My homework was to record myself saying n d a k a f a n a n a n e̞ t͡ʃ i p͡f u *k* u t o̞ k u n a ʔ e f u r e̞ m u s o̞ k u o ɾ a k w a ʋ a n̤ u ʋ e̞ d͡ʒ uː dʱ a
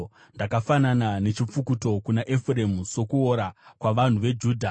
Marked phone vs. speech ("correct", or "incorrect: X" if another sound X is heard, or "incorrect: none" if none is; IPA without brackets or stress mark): correct